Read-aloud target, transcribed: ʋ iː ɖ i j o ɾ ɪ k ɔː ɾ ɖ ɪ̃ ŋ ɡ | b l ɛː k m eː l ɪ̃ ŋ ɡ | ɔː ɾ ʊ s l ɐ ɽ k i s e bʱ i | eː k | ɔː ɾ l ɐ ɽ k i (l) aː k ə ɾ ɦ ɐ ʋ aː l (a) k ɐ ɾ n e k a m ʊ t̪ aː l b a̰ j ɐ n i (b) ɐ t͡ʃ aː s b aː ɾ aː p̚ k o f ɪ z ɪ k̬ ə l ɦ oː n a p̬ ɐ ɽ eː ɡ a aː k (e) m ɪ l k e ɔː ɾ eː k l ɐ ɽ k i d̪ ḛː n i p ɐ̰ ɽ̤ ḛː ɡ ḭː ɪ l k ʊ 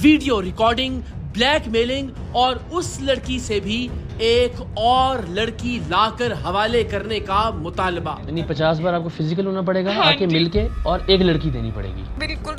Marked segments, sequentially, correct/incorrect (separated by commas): correct, incorrect, incorrect, correct